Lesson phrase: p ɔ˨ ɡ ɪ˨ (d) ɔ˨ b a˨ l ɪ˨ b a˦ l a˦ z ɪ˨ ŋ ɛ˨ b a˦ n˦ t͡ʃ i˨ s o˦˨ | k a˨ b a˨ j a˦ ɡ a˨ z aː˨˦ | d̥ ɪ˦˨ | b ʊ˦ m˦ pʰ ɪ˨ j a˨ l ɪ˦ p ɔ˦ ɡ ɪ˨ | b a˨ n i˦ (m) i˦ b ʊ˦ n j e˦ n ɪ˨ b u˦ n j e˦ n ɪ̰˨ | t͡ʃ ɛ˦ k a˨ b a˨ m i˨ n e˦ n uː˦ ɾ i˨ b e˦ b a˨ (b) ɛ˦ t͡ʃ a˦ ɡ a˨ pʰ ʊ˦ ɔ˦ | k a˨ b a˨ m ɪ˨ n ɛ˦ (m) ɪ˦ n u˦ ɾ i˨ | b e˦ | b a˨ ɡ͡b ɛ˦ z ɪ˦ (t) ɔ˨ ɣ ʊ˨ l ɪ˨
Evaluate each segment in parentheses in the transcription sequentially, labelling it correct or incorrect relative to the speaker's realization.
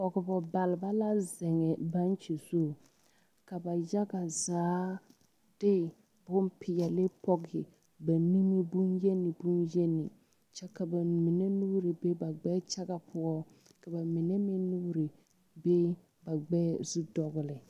incorrect: b, correct, incorrect: ɡ͡b, correct, incorrect: d

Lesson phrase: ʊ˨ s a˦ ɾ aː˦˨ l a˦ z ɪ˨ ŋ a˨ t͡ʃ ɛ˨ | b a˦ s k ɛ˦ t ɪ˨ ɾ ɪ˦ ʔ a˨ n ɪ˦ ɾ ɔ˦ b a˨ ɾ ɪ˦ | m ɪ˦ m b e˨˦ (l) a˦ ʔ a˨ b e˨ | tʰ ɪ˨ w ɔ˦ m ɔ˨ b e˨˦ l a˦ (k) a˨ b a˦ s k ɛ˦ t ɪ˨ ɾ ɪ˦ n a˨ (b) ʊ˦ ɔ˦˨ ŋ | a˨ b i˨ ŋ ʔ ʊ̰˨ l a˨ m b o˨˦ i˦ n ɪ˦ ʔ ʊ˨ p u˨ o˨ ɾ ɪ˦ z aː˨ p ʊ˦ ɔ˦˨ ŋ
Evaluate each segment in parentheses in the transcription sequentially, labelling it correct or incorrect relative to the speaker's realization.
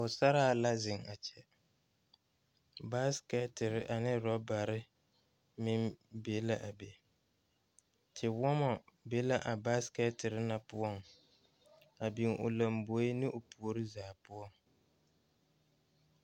correct, incorrect: ʔ, incorrect: p

